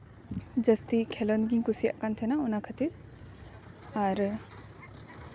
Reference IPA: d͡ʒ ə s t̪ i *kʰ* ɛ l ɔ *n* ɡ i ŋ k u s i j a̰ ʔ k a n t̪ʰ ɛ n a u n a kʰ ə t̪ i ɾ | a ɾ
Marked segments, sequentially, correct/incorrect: correct, correct

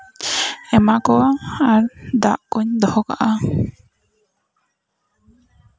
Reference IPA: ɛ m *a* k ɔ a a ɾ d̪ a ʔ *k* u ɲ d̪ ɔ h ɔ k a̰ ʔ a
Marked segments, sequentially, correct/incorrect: correct, correct

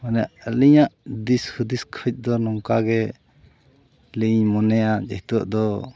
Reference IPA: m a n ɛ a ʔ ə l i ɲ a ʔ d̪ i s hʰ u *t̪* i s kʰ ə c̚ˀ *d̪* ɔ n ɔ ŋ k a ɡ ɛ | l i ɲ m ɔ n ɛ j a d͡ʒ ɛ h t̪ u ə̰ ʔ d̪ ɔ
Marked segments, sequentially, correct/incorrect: incorrect, correct

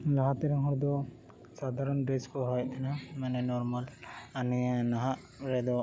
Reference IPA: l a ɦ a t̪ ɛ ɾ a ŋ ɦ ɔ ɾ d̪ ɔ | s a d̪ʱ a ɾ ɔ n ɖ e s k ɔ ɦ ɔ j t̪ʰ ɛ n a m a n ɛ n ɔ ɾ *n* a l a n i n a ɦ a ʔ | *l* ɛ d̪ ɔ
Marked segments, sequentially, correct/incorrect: incorrect, incorrect

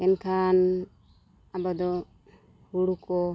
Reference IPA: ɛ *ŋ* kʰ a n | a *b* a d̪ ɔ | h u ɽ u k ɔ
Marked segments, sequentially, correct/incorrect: incorrect, correct

